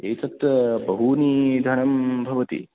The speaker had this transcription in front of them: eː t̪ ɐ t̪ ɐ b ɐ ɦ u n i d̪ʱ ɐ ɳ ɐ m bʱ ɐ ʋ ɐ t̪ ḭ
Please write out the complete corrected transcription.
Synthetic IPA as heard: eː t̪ ɐ t̪ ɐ b ɐ ɦ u n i d̪ʱ ɐ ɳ ɐ m bʱ ɐ ʋ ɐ t̪ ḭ